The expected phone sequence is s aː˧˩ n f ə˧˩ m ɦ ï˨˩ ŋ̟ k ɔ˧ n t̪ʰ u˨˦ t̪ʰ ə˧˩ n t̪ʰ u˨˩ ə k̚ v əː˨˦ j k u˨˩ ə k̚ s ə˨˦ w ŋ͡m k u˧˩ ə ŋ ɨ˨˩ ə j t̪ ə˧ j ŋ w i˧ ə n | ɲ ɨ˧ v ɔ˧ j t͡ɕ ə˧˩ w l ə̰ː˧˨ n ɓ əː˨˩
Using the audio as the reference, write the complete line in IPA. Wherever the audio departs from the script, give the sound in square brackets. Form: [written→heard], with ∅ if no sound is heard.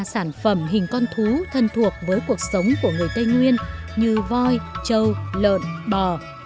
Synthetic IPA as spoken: s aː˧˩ n f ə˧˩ m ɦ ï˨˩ ŋ̟ k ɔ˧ n t̪ʰ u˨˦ t̪ʰ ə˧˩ n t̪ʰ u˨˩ ə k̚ v əː˨˦ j k u˨˩ ə k̚ s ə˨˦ w ŋ͡m k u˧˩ ə ŋ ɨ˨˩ ə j t̪ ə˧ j ŋ w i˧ ə n | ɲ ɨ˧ v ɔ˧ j t͡ɕ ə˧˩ w l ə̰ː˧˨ n ɓ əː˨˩